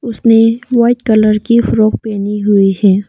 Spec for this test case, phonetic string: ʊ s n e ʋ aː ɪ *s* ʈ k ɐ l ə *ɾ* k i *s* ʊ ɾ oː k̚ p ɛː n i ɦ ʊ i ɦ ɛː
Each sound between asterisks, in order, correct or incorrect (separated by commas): incorrect, correct, incorrect